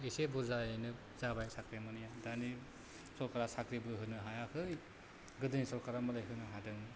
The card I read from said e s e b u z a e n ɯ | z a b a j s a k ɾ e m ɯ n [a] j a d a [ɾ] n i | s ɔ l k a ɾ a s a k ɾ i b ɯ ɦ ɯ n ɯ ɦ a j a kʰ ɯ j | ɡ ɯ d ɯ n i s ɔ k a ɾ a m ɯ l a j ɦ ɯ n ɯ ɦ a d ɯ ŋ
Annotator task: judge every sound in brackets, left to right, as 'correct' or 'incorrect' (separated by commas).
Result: incorrect, incorrect